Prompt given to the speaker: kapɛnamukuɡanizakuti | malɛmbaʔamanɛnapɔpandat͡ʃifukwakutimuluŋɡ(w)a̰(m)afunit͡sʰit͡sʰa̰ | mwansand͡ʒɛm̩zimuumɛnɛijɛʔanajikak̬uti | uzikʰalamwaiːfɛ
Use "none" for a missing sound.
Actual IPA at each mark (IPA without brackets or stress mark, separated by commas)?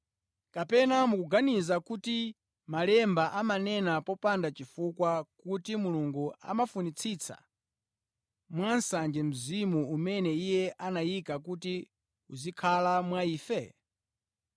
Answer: u, m